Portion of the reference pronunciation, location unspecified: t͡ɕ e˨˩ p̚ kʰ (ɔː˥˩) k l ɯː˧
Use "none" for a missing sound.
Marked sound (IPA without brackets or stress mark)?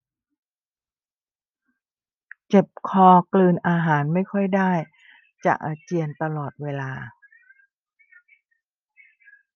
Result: ɔː˧